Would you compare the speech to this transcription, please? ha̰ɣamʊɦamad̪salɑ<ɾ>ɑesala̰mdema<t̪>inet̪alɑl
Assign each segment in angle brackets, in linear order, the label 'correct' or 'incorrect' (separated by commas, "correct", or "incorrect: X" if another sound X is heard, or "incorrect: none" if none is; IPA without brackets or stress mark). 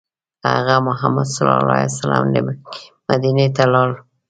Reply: incorrect: l, incorrect: d̪